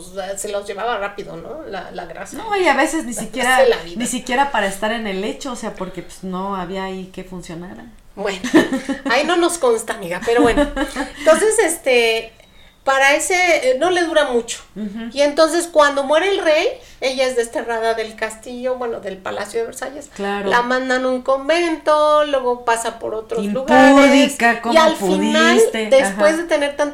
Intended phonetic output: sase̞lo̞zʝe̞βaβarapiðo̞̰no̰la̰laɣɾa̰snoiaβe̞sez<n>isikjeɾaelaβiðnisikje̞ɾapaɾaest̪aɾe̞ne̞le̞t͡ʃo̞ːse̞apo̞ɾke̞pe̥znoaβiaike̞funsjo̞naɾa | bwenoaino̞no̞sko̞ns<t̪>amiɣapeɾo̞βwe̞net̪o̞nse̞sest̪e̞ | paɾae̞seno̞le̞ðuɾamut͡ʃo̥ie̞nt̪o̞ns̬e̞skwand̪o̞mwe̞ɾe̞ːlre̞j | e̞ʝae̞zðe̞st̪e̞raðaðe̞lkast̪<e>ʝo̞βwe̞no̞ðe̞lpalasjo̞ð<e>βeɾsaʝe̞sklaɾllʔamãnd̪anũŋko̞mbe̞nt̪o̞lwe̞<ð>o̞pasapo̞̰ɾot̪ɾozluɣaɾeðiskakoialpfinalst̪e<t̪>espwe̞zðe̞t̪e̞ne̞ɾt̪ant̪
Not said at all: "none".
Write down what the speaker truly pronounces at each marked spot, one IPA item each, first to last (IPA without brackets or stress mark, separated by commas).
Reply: n, t̪, i, e, ɣ, d̪